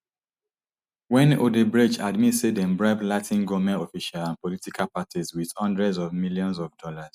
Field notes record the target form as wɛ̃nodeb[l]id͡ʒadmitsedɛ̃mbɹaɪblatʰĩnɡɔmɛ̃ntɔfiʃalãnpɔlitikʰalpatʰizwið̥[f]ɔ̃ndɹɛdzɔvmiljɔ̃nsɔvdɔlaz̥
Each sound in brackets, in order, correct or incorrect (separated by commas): incorrect, incorrect